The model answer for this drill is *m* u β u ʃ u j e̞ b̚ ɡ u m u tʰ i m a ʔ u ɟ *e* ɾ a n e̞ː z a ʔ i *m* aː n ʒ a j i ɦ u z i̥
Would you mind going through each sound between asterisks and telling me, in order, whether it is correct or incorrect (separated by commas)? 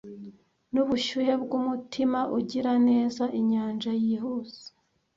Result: incorrect, incorrect, incorrect